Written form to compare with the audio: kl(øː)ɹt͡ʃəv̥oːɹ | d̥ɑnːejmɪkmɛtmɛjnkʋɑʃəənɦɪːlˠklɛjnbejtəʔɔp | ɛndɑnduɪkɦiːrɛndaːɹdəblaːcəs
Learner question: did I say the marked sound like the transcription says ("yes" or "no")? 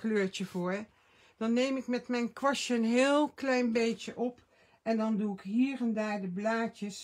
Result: yes